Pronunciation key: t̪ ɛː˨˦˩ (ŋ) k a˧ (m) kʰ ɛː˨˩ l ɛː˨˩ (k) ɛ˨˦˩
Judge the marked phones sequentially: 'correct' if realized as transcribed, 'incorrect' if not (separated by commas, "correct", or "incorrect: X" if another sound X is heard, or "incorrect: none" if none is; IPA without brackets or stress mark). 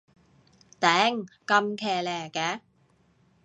correct, correct, correct